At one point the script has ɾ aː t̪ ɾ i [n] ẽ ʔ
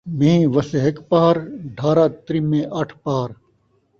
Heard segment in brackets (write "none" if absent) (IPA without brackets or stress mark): m